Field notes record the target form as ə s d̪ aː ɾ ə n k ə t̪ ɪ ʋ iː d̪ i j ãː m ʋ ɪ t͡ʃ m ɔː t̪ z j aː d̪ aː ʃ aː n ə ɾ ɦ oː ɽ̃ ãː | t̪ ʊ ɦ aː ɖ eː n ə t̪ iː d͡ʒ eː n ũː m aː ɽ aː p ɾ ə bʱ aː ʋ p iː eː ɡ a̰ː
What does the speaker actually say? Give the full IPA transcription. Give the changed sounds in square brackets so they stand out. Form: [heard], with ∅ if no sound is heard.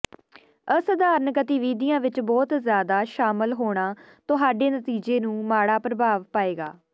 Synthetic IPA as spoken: ə s d̪ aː ɾ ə n k ə t̪ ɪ ʋ iː d̪ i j ãː [∅] ʋ ɪ t͡ʃ [b] ɔː t̪ z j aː d̪ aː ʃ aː [m] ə [l] ɦ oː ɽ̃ [aː] | t̪ ʊ ɦ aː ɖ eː n ə t̪ iː d͡ʒ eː n ũː m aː ɽ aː p ɾ ə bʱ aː ʋ p [aː] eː ɡ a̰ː